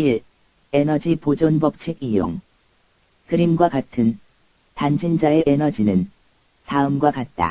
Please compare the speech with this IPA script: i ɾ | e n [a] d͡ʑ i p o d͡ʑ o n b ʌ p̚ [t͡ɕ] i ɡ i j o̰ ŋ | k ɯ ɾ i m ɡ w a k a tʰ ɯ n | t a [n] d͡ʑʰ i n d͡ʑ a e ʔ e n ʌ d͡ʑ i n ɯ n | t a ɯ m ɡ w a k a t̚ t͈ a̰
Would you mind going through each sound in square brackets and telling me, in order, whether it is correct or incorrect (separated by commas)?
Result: incorrect, incorrect, correct